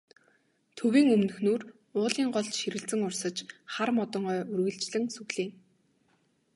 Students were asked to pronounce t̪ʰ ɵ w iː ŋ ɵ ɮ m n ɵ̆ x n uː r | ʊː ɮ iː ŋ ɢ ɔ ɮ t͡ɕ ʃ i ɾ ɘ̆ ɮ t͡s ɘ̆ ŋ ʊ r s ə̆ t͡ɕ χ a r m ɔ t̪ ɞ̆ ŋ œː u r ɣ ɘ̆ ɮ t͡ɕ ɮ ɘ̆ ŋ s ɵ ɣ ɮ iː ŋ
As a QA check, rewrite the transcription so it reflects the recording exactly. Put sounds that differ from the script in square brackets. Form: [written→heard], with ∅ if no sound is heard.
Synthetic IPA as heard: t̪ʰ ɵ w iː ŋ ɵ [ɮ→∅] m n ɵ̆ x n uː r | ʊː ɮ iː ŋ ɢ ɔ ɮ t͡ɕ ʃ i ɾ ɘ̆ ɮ t͡s ɘ̆ ŋ ʊ r s ə̆ t͡ɕ χ a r m ɔ t̪ ɞ̆ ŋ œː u r ɣ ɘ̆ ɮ t͡ɕ ɮ ɘ̆ ŋ s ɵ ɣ ɮ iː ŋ